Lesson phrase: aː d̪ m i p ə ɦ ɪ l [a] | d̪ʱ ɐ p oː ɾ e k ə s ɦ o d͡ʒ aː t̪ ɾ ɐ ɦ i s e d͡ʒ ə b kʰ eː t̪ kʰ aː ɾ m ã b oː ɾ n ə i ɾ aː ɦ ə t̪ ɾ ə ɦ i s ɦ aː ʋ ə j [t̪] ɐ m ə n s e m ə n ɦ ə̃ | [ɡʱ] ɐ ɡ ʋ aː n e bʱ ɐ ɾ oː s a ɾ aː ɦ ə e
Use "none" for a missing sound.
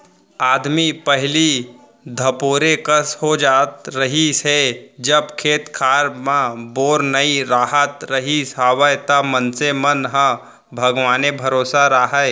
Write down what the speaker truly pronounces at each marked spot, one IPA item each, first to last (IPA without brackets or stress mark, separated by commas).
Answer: i, t̪, bʱ